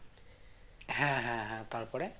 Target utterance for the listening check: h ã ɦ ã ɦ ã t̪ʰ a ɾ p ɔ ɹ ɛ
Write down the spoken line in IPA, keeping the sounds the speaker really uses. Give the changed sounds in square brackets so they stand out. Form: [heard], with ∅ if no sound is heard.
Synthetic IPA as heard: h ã ɦ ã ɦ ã [t̪] a [ɹ] p ɔ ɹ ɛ